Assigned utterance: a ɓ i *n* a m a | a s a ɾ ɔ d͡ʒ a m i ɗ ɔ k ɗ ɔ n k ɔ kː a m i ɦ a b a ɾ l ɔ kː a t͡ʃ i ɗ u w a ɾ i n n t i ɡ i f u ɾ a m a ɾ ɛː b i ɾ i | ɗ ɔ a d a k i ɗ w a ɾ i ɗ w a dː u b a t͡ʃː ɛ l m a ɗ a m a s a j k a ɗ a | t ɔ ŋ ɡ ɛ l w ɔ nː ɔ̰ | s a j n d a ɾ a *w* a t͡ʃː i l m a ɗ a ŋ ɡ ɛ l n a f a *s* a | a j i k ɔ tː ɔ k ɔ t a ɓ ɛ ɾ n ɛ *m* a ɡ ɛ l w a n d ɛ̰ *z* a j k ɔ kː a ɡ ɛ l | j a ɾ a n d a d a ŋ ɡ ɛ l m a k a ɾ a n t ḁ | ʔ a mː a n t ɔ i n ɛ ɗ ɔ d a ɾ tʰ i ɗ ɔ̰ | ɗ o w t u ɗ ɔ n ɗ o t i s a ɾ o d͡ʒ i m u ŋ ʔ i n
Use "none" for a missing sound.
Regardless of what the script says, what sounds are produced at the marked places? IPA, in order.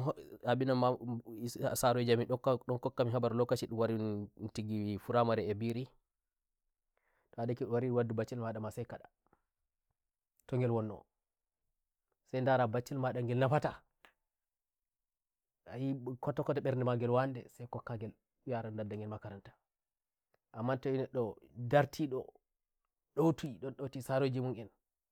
n, b, t, m, s

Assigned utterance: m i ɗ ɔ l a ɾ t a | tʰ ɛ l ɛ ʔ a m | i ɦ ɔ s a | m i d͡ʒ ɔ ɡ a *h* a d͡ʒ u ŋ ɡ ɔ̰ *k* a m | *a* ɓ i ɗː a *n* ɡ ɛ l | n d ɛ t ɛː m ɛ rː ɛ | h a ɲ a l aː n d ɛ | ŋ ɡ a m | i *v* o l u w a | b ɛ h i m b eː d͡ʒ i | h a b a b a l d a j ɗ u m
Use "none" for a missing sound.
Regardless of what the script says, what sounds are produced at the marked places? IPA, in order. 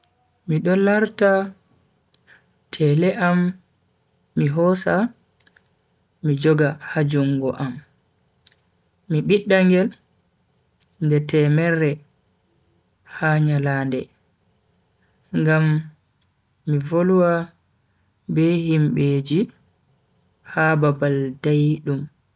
h, ʔ, i, ŋ, v

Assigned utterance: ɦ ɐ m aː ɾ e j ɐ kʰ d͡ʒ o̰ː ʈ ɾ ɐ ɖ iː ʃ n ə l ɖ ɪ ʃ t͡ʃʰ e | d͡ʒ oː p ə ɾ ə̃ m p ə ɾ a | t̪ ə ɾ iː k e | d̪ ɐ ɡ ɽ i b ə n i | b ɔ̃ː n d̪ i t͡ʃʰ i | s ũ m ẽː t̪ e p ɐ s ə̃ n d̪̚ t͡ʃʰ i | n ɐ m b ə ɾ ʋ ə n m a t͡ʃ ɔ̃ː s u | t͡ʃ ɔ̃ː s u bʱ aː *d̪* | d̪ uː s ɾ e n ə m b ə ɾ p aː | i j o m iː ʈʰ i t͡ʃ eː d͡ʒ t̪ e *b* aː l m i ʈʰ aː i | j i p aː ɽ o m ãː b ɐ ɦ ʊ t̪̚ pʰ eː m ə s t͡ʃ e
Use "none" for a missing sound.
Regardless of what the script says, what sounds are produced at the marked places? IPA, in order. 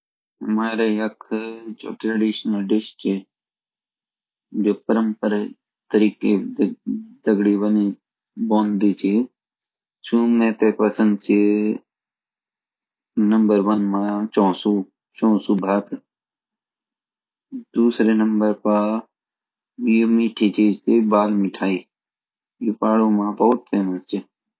t̪, b

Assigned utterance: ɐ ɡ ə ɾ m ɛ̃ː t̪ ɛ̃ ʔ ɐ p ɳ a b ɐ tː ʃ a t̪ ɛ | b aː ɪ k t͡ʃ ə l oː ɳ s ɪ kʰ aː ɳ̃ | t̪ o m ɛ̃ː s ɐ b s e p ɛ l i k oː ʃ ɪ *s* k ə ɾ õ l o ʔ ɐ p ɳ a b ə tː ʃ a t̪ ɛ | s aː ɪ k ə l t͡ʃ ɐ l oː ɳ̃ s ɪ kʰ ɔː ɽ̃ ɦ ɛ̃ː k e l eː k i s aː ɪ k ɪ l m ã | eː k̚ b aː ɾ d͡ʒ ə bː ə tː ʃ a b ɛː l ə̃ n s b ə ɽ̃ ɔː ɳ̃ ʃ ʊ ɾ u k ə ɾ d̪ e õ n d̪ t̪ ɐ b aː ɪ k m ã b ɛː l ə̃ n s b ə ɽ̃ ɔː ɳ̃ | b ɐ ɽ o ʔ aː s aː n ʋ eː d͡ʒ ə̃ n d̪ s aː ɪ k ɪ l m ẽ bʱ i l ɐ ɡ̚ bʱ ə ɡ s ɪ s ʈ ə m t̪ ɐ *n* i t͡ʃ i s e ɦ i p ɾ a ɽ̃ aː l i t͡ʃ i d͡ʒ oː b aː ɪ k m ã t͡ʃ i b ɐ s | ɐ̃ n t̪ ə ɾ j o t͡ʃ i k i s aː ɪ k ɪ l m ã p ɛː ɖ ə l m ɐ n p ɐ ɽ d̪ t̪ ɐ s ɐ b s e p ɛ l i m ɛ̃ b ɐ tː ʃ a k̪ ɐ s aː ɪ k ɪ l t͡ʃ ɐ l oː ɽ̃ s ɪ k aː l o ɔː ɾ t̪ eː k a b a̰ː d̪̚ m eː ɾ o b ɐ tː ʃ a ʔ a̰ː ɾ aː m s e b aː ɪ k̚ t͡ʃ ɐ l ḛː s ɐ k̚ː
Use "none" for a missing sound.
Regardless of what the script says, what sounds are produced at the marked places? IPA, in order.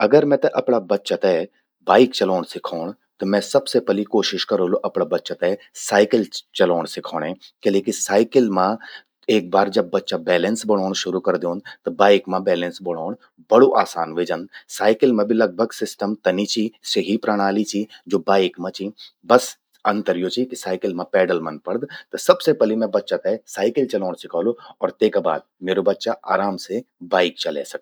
ʃ, n

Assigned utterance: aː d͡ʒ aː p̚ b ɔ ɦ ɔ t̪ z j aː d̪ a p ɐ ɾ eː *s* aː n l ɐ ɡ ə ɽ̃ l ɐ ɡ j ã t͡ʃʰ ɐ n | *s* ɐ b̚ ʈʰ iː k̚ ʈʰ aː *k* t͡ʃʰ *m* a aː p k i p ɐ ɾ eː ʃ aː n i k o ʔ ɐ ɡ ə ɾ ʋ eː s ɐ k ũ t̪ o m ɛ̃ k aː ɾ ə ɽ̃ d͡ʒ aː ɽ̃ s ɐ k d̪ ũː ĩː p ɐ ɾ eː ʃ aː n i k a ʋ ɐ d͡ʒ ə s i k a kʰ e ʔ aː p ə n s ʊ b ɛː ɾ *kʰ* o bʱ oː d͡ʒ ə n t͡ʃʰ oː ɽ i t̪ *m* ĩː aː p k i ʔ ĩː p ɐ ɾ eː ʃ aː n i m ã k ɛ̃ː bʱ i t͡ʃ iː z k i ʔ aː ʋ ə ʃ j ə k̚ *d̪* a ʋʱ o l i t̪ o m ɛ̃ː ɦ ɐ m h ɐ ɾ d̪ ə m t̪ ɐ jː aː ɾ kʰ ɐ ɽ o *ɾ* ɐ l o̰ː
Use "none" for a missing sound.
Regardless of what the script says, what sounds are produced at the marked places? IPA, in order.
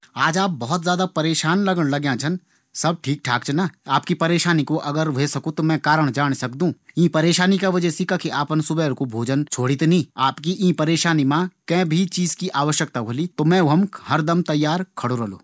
ʃ, s, k, n, k, n, t̪, ɾ

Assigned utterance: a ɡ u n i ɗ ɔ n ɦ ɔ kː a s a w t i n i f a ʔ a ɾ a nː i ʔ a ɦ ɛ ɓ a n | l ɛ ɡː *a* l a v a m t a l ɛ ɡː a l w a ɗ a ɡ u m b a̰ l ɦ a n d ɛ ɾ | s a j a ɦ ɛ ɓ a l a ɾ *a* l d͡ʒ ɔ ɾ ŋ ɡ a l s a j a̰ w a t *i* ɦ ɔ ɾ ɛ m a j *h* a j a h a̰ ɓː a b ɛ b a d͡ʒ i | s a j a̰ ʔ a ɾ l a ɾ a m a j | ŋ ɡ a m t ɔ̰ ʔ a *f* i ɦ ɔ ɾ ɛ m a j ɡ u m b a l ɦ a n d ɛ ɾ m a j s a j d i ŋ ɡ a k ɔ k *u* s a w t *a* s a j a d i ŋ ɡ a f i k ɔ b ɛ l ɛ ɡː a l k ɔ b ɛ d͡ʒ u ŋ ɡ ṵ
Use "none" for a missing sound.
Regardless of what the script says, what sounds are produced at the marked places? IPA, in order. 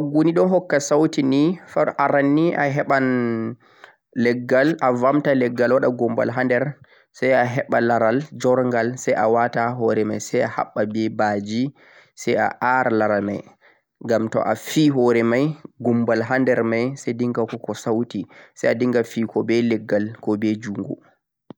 a, a, a, s, f, ɔ, i

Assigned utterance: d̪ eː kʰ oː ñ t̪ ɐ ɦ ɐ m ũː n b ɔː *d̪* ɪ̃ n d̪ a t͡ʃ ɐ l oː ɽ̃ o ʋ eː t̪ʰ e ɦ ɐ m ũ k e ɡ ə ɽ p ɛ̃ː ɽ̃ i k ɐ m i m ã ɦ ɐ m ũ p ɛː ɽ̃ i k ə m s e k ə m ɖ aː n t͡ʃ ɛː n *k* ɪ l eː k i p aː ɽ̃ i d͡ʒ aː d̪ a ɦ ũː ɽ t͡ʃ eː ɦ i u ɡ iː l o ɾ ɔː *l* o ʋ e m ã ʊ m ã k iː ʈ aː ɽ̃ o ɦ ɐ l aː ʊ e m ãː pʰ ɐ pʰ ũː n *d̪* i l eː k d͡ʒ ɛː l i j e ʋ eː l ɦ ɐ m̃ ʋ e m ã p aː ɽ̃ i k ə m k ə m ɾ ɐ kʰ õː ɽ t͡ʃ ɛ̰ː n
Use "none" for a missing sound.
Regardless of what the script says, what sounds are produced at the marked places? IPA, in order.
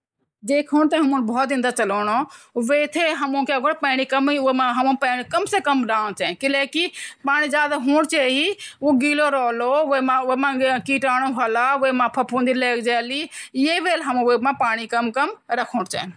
t̪, k, l, d̪

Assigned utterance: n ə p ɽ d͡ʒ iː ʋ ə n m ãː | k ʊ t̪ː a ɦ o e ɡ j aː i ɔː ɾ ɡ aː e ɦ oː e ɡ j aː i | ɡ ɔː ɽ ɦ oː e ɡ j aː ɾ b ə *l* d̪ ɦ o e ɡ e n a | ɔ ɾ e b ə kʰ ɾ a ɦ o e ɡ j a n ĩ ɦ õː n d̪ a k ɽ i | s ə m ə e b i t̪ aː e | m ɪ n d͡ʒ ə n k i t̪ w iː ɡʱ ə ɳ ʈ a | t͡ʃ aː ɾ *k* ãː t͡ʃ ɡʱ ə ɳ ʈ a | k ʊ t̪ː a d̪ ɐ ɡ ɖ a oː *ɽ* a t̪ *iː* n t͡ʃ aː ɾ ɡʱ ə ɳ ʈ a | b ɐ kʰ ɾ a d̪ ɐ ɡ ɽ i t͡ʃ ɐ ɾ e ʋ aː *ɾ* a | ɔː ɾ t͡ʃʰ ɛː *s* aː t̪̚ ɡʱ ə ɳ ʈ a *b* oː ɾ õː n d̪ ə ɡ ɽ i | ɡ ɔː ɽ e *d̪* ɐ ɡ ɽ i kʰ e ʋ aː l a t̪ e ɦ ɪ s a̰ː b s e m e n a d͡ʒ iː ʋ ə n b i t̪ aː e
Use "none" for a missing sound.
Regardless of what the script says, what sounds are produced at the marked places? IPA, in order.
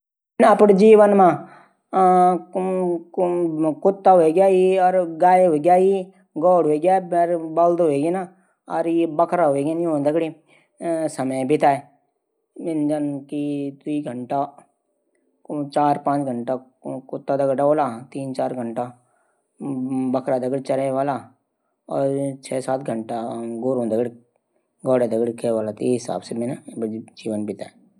l, p, l, iː, l, s, ɡ, d̪

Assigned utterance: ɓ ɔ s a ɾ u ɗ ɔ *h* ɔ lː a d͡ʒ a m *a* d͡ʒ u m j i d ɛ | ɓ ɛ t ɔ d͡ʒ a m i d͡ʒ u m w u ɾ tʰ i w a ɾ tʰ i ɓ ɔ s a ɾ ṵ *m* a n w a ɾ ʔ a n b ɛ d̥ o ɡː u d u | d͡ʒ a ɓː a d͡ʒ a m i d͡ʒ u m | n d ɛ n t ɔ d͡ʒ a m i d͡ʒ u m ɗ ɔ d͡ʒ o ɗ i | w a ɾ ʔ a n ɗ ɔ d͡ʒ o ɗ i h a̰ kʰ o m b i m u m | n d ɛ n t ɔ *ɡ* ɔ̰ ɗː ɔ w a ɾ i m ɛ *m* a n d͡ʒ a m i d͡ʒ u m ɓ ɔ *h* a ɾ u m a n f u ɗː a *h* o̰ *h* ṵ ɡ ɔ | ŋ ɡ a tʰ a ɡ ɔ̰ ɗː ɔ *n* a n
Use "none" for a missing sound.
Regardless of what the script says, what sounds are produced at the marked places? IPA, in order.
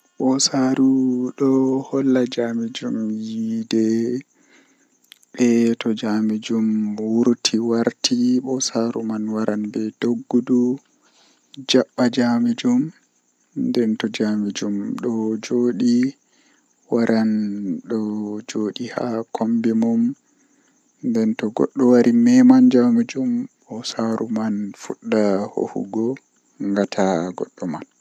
h, i, m, ɡ, m, s, h, h, m

